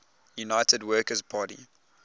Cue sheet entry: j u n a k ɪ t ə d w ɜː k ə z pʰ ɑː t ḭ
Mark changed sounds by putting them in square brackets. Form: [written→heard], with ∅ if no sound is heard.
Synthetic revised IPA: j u n a [k→∅] ɪ t ə d w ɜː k ə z pʰ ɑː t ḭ